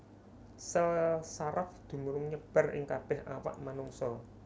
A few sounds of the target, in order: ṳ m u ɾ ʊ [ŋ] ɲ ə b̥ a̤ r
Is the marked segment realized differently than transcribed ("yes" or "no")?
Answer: no